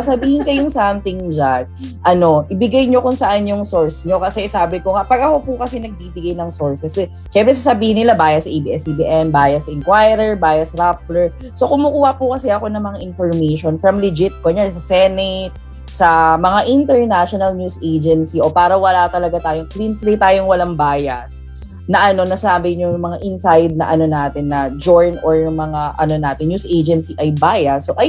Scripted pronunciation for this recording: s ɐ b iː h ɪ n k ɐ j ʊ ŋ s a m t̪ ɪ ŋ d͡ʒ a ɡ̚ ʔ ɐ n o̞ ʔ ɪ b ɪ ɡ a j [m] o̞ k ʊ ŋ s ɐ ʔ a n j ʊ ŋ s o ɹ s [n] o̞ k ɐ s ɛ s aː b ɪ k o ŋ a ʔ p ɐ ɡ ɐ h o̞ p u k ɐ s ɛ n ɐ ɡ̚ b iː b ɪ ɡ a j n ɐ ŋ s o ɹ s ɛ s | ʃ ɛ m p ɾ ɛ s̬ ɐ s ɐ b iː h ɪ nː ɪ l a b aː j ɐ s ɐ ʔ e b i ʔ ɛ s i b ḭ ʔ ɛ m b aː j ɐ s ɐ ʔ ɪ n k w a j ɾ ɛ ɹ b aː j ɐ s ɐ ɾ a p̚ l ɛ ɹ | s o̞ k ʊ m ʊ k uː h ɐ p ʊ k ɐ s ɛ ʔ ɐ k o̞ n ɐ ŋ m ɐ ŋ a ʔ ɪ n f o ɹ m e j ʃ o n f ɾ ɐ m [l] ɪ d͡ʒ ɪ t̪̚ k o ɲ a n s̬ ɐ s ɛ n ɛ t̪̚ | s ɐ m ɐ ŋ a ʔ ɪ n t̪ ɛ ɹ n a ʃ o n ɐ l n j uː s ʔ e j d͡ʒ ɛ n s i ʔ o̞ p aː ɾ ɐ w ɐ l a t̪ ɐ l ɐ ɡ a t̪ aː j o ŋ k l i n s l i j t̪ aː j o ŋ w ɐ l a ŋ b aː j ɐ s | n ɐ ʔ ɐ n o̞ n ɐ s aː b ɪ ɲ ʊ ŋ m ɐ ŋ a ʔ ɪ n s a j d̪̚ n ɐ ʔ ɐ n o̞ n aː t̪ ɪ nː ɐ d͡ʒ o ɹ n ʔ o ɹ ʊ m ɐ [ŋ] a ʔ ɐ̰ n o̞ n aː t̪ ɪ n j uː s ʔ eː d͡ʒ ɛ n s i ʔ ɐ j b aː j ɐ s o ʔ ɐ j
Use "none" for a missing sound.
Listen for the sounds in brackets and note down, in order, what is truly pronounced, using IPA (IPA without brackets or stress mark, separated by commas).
ɲ, ɲ, l, ŋ